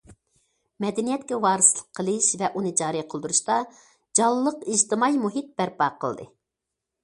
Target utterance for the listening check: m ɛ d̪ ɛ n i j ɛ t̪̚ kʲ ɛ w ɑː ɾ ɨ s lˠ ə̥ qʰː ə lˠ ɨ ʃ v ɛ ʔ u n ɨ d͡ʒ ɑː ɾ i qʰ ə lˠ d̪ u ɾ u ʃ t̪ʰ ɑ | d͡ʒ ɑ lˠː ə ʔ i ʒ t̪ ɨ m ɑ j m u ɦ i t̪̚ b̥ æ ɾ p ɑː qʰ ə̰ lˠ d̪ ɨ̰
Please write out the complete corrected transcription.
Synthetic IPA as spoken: m ɛ d̪ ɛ n i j ɛ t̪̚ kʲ ɛ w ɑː ɾ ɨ s lˠ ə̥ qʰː ə lˠ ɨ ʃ v ɛ ʔ u n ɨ d͡ʒ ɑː ɾ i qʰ ə lˠ d̪ u ɾ u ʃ t̪ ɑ | d͡ʒ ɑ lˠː ə q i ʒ t̪ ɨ m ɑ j m u ɦ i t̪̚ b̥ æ ɾ p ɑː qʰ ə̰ lˠ d̪ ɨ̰

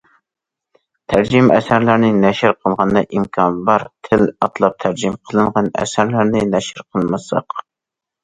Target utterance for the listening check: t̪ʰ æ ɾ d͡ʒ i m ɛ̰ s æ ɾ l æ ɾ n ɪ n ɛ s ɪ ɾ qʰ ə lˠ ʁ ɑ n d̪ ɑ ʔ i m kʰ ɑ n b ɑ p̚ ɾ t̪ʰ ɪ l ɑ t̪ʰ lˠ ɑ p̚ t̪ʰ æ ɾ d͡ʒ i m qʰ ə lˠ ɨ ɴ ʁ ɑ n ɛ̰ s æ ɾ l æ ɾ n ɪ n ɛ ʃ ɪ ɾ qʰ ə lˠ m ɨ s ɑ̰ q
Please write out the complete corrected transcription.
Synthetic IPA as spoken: t̪ʰ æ ɾ d͡ʒ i m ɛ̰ s æ ɾ l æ ɾ n ɪ n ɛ ʃ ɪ ɾ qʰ ə lˠ ʁ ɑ n d̪ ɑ ʔ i m kʰ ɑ n b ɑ ɾ t̪ʰ ɪ l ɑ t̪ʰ lˠ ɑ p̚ t̪ʰ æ ɾ d͡ʒ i m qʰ ə lˠ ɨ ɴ ʁ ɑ n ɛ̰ s æ ɾ l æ ɾ n ɪ n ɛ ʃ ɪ ɾ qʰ ə lˠ m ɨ s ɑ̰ q

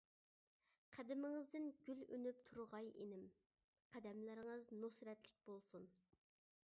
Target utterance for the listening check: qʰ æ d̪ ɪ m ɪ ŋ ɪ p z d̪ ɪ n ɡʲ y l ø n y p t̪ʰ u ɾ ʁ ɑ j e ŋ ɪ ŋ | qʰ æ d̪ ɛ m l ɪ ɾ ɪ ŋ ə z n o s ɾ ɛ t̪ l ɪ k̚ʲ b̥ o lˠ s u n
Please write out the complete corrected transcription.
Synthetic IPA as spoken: qʰ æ d̪ ɪ m ɪ ŋ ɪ z d̪ ɪ n ɡʲ y l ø n y p t̪ʰ u ɾ ʁ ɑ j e n ɪ m | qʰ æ d̪ ɛ m l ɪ ɾ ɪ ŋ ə z n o s ɾ ɛ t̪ l ɪ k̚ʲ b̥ o lˠ s u n

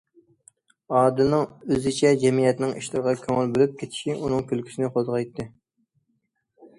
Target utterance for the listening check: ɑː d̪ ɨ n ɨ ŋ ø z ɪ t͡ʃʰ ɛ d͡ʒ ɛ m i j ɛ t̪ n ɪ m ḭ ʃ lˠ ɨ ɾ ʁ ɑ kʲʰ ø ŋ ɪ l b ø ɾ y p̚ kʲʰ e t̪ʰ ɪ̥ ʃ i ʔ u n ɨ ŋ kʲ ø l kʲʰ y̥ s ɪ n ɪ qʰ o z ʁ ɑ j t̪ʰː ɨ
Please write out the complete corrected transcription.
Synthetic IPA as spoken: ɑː d̪ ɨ n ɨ ŋ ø z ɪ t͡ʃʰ ɛ d͡ʒ ɛ m i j ɛ t̪ n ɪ ŋ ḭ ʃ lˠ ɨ ɾ ʁ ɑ kʲʰ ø ŋ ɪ l b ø l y p̚ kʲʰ e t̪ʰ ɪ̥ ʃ i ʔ u n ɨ ŋ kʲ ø l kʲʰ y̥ s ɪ n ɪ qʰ o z ʁ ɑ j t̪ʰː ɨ

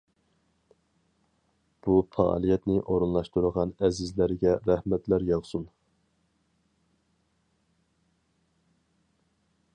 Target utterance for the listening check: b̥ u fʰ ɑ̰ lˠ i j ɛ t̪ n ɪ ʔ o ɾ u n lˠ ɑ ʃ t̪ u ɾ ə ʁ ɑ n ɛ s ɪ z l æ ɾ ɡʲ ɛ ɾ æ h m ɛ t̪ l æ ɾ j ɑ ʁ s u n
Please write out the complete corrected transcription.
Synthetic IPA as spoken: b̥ u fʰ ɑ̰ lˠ i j ɛ t̪ n ɪ ʔ o ɾ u n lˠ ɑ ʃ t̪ u ɾ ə ʁ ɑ n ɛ z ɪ z l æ ɾ ɡʲ ɛ ɾ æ h m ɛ t̪ l æ ɾ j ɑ ʁ s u n

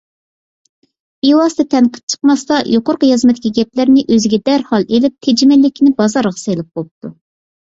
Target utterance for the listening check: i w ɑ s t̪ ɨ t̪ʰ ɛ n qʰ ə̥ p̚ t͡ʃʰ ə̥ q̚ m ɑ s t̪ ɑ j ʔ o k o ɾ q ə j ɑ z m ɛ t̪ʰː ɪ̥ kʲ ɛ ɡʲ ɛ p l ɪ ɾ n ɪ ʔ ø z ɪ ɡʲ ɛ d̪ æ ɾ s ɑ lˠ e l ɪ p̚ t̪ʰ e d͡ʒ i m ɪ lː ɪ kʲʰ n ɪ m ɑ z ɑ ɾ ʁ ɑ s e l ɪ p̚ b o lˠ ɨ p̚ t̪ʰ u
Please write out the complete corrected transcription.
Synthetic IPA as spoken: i w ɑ s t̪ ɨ t̪ʰ ɛ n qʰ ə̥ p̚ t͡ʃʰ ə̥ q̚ m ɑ s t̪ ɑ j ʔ o q o ɾ q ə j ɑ z m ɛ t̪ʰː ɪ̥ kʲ i ɡʲ ɛ p l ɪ ɾ n ɪ ʔ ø z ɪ ɡʲ ɛ d̪ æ ɾ h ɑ lˠ e l ɪ p̚ t̪ʰ e d͡ʒ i m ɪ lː ɪ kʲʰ n ɪ b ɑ z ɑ ɾ ʁ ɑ s e l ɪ p̚ b o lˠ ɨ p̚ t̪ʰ u

